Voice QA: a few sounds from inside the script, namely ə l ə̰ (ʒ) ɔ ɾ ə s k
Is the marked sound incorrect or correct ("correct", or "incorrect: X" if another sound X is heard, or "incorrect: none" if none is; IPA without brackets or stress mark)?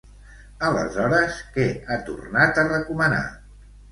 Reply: incorrect: z